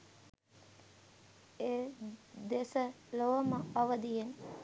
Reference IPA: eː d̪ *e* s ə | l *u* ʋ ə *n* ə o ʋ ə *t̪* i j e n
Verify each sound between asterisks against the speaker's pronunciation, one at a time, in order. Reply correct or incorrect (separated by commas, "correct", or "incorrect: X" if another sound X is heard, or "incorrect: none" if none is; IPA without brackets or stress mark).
correct, incorrect: o, incorrect: m, incorrect: d̪